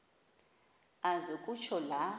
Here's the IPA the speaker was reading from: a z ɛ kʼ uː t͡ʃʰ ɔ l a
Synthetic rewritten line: a z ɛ kʼ u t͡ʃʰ ɔ l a

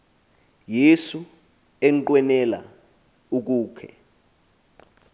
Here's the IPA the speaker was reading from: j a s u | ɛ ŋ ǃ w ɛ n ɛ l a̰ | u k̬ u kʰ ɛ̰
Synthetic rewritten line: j e s u | ɛ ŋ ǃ w ɛ n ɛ l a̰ | u k̬ uː kʰ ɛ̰

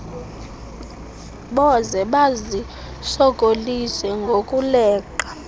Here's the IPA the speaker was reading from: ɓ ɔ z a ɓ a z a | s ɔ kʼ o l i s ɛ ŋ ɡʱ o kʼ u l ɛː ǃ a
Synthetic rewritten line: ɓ ɔ z ɛ ɓ a z i | s ɔ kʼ o l i s ɛ ŋ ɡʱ o kʼ u l ɛː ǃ a

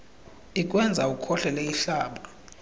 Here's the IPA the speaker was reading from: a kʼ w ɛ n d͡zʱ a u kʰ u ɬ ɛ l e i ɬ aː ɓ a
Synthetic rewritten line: i kʼ w ɛ n d͡zʱ a u kʰ ɔ ɬ ɛ l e i ɬ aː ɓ a

